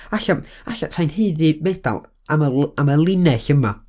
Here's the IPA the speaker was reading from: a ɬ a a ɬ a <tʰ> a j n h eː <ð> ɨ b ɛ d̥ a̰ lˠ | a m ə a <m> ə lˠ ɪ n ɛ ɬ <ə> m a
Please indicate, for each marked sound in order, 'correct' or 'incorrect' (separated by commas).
correct, correct, correct, correct